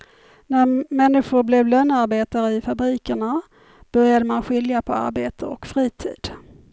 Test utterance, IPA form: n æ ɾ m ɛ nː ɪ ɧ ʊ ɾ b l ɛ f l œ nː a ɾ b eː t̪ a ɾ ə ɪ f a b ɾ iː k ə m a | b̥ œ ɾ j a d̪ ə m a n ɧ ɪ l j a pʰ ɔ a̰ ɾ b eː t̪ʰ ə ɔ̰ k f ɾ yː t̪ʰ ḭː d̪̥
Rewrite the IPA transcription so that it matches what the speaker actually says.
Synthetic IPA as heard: n æ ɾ m ɛ nː ɪ ɧ ʊ ɾ b l ɛ v l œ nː a ɾ b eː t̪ a ɾ ə ɪ f a b ɾ iː k ə ɳ a | b̥ œ ɾ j a d̪ ə m a n ɧ ɪ l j a pʰ ɔ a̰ ɾ b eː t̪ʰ ə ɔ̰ k f ɾ iː t̪ʰ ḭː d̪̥